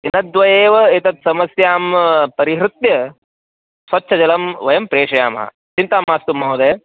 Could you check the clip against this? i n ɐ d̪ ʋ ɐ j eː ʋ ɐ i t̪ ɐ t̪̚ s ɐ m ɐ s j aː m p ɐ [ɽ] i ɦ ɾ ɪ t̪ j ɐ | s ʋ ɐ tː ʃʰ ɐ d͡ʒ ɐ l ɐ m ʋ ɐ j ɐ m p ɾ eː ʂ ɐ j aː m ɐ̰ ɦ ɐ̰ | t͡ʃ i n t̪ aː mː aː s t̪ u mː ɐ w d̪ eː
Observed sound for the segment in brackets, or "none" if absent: ɾ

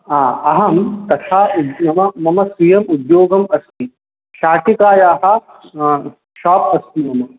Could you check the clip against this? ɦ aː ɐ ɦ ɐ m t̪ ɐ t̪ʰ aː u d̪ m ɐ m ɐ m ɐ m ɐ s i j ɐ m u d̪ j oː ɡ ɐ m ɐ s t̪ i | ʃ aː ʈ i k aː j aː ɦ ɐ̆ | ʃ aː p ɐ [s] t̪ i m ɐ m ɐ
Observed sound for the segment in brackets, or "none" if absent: s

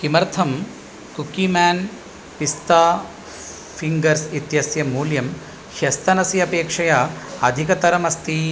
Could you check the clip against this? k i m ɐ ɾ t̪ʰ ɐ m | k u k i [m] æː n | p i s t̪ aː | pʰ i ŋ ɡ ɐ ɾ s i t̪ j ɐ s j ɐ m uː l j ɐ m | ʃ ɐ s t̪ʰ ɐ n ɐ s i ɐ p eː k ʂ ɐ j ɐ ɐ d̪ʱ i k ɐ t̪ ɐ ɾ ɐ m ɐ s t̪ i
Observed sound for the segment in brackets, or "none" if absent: m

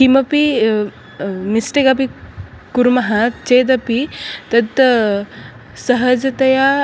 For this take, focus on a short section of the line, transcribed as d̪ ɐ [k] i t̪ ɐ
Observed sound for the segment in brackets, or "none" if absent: p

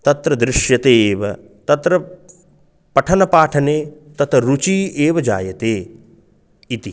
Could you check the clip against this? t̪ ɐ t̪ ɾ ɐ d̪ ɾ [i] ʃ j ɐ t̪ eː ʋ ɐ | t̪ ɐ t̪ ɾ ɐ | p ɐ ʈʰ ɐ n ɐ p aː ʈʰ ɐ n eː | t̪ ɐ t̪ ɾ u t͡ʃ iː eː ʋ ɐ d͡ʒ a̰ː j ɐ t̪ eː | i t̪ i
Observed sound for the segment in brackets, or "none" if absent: ɪ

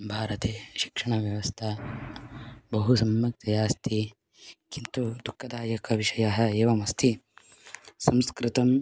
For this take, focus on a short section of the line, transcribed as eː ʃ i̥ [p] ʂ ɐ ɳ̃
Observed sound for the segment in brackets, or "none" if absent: k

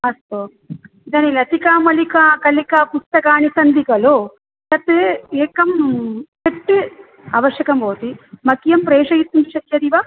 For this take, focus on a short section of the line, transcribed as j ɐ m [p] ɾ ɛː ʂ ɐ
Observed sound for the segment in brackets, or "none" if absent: p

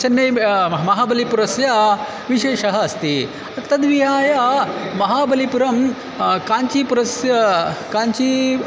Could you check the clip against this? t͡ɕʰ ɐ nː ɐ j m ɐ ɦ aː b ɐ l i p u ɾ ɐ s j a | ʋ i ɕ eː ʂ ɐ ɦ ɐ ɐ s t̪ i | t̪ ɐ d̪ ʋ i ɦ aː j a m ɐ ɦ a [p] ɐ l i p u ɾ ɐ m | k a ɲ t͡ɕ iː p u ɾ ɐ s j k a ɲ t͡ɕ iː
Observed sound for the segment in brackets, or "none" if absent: b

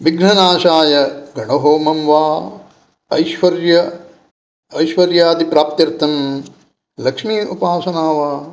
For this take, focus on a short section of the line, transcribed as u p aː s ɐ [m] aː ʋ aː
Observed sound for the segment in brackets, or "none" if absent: n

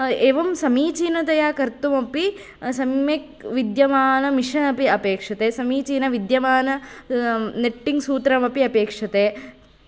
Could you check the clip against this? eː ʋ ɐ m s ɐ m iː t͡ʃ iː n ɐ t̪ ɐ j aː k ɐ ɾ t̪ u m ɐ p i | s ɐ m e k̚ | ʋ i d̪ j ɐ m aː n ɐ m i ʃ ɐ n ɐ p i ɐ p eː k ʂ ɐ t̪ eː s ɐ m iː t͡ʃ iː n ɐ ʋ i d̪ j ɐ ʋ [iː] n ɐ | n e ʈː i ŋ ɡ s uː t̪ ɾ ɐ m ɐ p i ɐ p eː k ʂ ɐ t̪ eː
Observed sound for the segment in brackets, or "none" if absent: aː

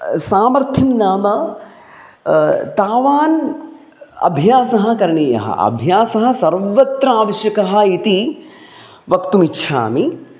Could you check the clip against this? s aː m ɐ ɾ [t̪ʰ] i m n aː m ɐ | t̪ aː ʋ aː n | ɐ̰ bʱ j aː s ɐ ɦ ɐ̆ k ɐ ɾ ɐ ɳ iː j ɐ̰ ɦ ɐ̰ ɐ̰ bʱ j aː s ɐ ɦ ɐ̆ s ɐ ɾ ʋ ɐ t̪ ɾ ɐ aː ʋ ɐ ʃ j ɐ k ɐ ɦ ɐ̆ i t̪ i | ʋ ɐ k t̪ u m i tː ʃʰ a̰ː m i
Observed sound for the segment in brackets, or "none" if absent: t̪ʰ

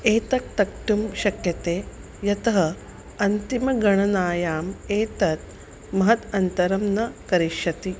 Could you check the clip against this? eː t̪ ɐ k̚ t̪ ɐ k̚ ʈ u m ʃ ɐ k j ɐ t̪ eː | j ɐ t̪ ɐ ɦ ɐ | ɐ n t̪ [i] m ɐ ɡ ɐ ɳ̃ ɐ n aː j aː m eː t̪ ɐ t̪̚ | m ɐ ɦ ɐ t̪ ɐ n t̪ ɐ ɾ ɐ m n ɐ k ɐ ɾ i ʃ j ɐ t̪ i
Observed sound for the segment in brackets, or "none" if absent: i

